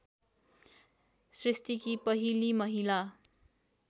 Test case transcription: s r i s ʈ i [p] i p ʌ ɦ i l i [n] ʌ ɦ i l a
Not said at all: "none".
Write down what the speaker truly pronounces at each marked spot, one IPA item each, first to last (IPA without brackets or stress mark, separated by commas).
k, m